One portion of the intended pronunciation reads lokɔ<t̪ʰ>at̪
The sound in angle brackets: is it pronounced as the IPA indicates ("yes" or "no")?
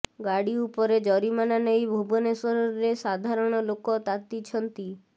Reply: no